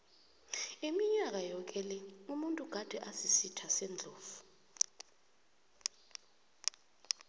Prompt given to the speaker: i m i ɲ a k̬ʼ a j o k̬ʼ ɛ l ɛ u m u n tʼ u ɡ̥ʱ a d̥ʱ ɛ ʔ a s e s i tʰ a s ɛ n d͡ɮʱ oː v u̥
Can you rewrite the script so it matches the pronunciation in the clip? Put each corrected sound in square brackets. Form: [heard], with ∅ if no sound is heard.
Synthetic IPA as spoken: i m i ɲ a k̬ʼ a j [ɔ] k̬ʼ ɛ l ɛ u m u n tʼ u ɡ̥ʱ a d̥ʱ ɛ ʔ a s [i] s i tʰ a s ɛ n d͡ɮʱ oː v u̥